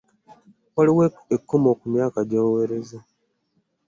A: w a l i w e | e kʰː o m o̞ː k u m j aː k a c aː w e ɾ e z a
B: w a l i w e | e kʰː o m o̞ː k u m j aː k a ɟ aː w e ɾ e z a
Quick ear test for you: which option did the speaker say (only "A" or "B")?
B